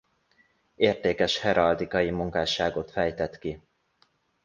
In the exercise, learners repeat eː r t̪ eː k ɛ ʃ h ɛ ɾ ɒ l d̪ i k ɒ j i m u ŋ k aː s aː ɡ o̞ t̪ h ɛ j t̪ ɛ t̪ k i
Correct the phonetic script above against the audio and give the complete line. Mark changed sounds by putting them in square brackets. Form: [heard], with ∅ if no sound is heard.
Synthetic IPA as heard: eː r t̪ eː k ɛ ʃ h ɛ ɾ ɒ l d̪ i k ɒ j i m u ŋ k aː [ʃ] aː ɡ o̞ t̪ [f] ɛ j t̪ ɛ t̪ k i